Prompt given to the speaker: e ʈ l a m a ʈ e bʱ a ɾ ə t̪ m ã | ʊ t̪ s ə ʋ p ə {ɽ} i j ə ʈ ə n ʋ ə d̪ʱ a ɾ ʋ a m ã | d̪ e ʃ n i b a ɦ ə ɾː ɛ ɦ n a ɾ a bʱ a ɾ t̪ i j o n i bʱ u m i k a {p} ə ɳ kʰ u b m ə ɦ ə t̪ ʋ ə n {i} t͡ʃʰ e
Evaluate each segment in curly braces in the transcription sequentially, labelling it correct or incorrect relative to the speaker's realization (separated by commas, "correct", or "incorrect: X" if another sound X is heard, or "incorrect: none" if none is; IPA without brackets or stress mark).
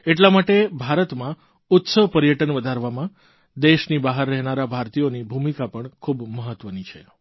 incorrect: ɾ, correct, correct